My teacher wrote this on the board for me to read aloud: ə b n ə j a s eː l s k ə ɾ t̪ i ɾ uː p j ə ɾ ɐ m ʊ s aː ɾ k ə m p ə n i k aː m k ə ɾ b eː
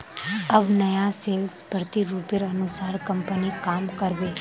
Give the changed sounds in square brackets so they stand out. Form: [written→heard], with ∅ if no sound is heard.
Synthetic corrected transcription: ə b n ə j a s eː l s [k→p] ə ɾ t̪ i ɾ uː p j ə ɾ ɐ [m→n] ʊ s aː ɾ k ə m p ə n i k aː m k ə ɾ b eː